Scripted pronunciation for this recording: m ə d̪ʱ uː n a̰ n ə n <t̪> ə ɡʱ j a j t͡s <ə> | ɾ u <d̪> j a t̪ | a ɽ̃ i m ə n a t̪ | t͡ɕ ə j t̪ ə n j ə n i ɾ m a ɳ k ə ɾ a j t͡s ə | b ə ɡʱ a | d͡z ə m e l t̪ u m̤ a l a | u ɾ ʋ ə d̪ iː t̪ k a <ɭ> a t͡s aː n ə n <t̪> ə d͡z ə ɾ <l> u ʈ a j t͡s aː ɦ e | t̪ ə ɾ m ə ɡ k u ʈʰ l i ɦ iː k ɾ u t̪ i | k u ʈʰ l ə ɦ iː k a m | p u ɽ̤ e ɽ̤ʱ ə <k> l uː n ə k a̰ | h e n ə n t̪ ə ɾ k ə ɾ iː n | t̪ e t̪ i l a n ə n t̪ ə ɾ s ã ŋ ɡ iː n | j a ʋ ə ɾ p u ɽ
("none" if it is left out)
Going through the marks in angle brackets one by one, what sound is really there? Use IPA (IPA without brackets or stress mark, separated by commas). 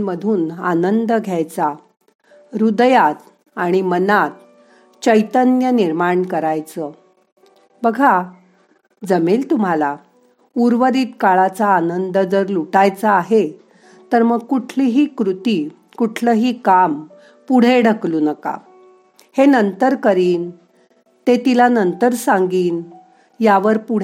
d̪, a, d̪, ɭ, d̪, l, k